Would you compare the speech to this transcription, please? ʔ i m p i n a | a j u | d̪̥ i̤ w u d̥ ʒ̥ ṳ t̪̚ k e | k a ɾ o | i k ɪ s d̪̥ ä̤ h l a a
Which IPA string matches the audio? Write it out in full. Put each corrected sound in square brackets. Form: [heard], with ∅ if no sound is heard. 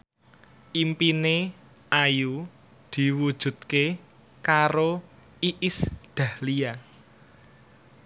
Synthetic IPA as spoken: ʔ i m p i n [e] | a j u | d̪̥ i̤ w u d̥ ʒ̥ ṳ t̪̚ k e | k a ɾ o | i [ʔ] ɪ s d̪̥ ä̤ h l [i] a